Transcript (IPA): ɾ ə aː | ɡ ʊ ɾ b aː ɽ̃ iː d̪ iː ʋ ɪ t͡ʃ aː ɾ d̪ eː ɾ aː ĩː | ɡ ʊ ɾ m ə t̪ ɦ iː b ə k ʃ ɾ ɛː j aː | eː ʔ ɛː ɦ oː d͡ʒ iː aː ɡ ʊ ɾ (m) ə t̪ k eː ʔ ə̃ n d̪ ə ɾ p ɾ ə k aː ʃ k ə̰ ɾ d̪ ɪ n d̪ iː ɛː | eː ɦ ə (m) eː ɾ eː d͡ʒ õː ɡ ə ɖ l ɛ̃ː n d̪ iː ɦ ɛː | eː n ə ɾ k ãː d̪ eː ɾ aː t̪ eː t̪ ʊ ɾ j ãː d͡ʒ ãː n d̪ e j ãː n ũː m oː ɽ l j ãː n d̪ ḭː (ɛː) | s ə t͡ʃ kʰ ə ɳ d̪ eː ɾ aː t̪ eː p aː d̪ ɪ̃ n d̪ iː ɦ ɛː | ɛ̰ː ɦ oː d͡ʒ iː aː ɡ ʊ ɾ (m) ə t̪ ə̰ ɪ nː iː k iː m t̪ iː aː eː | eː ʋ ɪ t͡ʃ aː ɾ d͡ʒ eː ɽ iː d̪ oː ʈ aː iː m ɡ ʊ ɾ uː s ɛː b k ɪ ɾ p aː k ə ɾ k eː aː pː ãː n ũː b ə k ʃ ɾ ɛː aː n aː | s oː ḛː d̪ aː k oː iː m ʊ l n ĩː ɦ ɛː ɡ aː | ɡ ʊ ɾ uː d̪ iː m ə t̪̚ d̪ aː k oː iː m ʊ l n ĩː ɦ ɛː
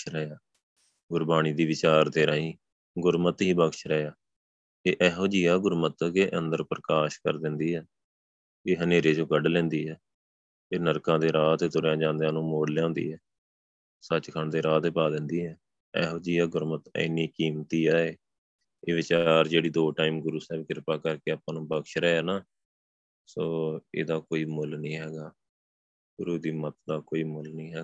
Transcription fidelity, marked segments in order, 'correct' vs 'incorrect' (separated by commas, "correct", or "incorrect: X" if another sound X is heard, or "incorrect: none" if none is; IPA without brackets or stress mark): correct, incorrect: n, correct, correct